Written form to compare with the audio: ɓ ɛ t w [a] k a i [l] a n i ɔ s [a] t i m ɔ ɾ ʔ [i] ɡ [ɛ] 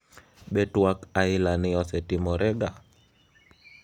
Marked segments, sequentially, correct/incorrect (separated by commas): correct, correct, incorrect, incorrect, incorrect